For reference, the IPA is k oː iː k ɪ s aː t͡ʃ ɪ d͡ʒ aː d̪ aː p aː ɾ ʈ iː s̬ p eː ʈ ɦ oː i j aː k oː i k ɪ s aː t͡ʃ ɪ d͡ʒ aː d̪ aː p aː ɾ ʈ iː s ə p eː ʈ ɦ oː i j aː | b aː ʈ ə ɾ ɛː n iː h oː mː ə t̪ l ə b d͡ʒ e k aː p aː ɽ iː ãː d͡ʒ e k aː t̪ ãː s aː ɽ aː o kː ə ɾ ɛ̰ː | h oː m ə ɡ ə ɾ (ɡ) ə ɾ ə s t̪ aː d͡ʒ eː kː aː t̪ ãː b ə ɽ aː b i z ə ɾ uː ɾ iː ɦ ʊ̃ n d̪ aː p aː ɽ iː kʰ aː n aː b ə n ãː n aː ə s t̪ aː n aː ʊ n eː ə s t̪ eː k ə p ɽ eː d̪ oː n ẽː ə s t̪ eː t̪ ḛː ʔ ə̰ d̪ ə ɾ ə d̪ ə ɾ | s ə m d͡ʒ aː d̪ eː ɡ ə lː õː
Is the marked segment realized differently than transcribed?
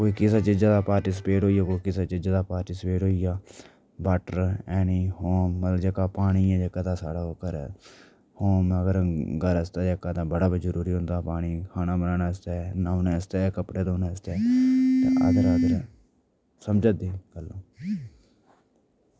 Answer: no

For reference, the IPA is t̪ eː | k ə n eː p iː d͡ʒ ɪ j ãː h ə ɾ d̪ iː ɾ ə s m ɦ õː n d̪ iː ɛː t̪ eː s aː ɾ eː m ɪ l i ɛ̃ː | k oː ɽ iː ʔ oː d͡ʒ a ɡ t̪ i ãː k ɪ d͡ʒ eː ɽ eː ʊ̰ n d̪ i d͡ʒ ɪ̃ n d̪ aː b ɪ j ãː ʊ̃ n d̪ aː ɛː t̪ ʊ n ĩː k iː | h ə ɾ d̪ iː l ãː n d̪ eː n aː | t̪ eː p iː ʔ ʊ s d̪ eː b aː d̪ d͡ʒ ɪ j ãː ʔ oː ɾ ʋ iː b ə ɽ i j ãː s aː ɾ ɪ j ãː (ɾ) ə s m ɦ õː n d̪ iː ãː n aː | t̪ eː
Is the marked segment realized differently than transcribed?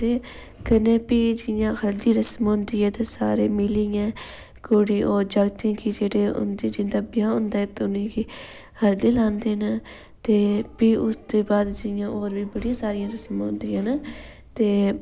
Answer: no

